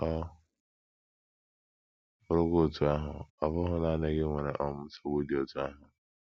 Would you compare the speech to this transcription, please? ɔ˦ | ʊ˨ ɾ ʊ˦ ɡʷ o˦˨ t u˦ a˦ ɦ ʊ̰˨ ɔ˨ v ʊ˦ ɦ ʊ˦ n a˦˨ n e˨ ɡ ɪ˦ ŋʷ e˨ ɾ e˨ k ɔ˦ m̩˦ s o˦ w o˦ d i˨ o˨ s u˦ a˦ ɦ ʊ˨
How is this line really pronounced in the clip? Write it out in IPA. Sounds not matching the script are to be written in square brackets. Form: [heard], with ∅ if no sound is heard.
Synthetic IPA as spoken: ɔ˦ | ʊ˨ ɾ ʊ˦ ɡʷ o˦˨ t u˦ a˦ ɦ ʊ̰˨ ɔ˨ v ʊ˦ ɦ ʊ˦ n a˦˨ n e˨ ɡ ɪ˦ ŋʷ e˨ ɾ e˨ [ʔ] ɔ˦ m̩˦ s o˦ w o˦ d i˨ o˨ [t] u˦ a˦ ɦ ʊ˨